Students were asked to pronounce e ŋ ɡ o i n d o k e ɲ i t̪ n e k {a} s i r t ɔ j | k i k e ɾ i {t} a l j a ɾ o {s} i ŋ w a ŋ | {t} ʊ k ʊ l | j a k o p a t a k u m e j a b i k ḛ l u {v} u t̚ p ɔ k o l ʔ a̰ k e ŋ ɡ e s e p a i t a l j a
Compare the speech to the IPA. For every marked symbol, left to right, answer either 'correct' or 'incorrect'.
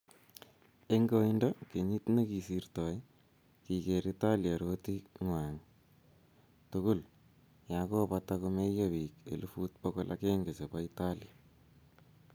incorrect: i, correct, incorrect: t, correct, incorrect: f

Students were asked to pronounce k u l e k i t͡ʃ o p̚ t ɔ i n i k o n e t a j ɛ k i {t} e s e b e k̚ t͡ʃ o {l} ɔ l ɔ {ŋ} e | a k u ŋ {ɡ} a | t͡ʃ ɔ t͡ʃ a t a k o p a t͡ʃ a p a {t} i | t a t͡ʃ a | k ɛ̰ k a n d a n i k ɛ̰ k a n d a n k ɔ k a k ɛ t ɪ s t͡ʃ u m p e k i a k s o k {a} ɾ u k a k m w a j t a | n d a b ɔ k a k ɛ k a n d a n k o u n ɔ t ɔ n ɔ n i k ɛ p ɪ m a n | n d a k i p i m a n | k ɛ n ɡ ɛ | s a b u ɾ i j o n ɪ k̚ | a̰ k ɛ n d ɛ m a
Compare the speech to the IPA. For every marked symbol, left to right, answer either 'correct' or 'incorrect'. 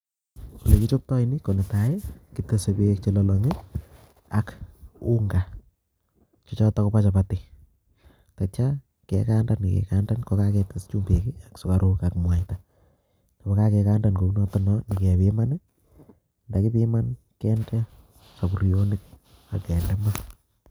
correct, correct, correct, correct, correct, correct

